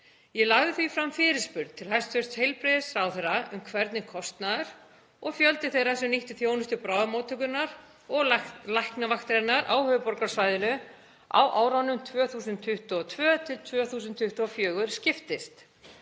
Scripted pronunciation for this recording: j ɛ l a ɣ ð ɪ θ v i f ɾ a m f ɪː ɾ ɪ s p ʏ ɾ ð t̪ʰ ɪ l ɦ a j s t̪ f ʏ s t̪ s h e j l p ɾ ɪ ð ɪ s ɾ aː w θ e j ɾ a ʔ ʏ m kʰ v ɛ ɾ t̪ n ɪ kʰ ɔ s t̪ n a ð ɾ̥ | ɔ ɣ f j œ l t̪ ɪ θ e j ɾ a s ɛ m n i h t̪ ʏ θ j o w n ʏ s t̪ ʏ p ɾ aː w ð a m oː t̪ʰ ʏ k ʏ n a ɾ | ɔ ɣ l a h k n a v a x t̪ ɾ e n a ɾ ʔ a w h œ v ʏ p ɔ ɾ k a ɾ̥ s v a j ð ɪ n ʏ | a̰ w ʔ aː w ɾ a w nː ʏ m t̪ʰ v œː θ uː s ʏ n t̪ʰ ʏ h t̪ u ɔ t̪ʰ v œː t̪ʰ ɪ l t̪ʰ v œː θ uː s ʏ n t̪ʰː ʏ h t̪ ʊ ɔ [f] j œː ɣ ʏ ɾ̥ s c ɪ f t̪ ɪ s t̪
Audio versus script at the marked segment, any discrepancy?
no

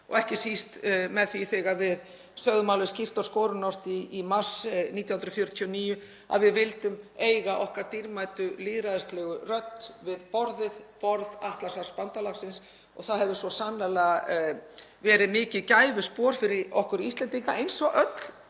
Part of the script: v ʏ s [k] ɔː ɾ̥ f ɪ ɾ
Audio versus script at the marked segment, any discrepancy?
yes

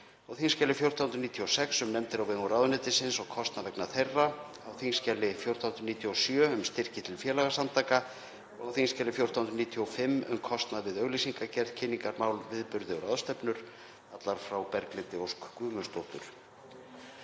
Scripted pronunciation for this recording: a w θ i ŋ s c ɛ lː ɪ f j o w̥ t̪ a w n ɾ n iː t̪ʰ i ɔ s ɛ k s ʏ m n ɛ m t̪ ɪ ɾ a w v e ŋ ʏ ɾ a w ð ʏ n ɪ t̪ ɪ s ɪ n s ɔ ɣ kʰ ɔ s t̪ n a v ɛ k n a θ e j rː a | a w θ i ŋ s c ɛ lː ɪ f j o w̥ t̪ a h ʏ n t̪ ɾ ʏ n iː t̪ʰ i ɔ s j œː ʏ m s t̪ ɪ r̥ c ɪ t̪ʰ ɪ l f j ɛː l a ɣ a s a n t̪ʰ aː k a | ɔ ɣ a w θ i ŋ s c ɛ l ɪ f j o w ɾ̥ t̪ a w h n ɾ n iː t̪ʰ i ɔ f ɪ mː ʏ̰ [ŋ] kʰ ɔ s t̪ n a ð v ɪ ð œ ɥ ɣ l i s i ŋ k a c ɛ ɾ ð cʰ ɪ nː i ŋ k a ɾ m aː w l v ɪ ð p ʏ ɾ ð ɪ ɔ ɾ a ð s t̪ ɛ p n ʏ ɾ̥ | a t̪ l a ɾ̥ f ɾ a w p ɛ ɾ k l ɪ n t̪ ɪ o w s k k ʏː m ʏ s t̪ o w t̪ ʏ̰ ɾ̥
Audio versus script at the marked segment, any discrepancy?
yes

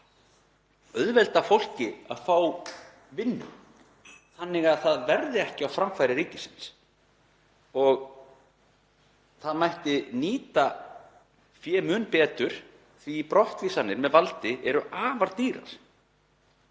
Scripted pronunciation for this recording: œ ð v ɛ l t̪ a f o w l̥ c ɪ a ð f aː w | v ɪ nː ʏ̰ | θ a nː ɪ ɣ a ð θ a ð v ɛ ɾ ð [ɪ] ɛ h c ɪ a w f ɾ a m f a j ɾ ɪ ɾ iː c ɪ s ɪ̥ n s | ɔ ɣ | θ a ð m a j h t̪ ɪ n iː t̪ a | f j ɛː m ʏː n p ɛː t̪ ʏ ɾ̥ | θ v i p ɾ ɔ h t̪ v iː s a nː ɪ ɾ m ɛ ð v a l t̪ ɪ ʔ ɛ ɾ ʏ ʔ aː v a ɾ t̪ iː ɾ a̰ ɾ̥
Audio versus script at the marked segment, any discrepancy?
no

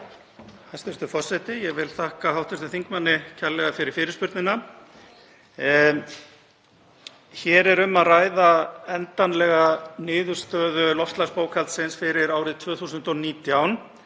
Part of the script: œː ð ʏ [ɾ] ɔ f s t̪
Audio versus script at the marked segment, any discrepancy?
yes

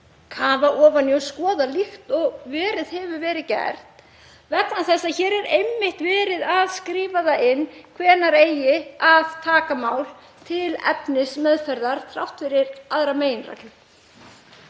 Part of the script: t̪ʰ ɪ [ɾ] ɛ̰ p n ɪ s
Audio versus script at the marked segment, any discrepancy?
yes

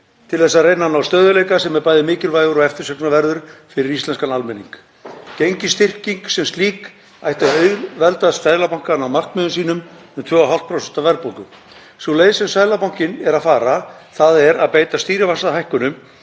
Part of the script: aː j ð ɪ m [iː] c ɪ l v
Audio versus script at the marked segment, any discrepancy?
yes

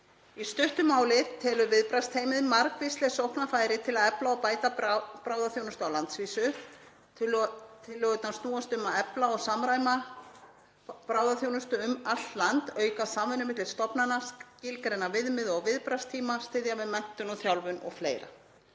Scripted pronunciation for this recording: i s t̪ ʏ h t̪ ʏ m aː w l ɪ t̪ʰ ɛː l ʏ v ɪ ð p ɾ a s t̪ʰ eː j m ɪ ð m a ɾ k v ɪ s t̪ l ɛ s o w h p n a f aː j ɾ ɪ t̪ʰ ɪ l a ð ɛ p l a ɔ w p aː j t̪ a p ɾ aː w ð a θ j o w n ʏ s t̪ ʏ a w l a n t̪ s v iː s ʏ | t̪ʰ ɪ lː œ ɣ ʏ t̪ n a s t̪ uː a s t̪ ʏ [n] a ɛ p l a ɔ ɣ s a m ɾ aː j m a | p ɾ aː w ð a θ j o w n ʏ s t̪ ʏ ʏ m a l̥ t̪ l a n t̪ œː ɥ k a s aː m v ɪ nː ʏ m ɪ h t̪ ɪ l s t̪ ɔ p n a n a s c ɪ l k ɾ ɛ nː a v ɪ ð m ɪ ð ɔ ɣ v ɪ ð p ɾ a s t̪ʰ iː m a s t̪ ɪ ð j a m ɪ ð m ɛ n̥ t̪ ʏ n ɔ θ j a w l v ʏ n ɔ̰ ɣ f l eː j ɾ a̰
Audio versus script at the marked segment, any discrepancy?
yes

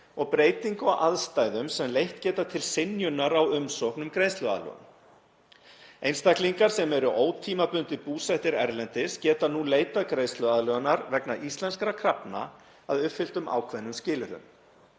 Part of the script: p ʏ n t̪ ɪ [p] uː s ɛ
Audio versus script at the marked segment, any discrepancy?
no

